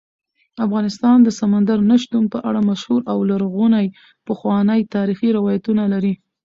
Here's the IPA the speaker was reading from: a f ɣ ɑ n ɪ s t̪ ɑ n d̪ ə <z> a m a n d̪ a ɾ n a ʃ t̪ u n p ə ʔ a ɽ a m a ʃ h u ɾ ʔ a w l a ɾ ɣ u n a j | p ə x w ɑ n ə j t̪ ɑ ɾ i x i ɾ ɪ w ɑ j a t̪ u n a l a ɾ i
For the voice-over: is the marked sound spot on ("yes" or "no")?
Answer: no